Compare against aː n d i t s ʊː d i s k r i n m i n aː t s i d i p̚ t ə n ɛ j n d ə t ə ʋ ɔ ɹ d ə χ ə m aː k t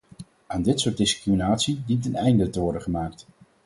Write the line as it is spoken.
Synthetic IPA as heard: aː n d ɪ t s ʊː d ɪ s k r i m i n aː t s i d i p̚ t ə n ɛ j n d ə t ə ʋ ɔ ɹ d ə χ ə m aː k t